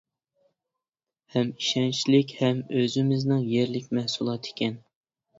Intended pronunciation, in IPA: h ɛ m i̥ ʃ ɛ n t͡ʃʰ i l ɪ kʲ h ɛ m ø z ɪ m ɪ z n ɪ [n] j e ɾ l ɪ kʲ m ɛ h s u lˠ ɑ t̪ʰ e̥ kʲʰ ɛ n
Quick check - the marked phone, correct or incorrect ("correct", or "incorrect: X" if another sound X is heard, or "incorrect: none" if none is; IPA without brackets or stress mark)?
incorrect: ŋ